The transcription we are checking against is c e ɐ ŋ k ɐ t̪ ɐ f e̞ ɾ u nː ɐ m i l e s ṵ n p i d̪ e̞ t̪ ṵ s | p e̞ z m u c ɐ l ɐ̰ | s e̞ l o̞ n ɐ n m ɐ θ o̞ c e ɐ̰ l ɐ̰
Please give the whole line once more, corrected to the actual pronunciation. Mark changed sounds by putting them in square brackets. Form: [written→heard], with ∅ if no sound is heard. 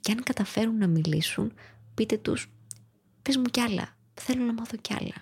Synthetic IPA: c e ɐ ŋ k ɐ t̪ ɐ f e̞ ɾ u nː ɐ m i l [e→i] s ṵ n p i [d̪→t̪] e̞ t̪ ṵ s | p e̞ z m u c ɐ l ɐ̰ | [s→θ] e̞ l o̞ n ɐ [n→∅] m ɐ θ o̞ c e ɐ̰ l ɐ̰